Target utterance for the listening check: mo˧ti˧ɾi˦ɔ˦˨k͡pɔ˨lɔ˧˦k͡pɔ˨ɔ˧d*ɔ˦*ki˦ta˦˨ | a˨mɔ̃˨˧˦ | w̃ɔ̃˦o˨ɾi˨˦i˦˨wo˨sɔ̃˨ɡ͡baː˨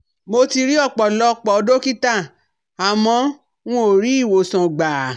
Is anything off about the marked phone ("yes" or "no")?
yes